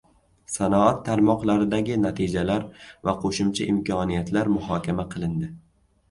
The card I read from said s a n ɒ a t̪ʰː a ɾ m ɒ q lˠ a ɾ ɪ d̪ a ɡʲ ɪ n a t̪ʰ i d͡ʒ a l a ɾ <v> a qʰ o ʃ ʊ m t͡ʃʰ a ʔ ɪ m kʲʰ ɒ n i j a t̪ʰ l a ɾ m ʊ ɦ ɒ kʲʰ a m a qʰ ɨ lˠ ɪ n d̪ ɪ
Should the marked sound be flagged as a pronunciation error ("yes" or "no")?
no